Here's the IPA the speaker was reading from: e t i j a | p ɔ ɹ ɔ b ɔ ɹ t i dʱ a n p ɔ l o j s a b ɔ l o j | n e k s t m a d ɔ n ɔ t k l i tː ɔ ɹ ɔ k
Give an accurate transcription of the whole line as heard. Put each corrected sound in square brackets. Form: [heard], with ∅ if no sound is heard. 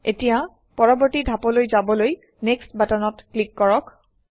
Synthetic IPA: e t i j a | p ɔ ɹ ɔ b ɔ ɹ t i dʱ a [∅] p ɔ l o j [z] a b ɔ l o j | n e k s t [b] a [t] ɔ n ɔ t k l i [kː] ɔ ɹ ɔ k